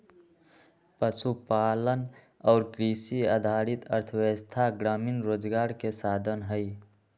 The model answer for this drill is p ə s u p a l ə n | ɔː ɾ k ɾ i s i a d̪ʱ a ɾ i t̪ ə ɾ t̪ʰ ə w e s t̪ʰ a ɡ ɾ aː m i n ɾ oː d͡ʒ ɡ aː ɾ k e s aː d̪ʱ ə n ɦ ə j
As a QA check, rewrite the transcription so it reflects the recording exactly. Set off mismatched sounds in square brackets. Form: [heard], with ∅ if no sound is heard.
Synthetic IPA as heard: p ə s u p a l ə n | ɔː ɾ k ɾ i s i a d̪ʱ a ɾ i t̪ ə ɾ t̪ʰ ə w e s t̪ʰ a ɡ ɾ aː m i n ɾ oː d͡ʒ ɡ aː ɾ k e s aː d̪ʱ ə n ɦ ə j